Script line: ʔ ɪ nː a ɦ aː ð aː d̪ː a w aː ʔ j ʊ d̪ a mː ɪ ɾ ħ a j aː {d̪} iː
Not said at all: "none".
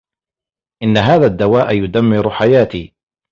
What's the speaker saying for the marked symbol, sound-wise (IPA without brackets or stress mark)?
t̪